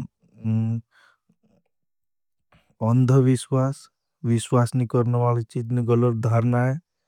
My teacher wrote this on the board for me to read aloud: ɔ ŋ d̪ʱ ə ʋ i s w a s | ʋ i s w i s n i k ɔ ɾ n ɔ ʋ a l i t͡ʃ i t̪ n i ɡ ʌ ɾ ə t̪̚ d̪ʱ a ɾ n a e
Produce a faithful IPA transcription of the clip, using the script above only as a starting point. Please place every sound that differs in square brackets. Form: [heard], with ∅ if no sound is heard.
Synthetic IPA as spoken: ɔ [n] d̪ʱ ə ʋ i s w a s | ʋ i s w [a] s n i k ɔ ɾ n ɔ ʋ a l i t͡ʃ i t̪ n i ɡ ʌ [l] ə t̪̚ d̪ʱ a ɾ n a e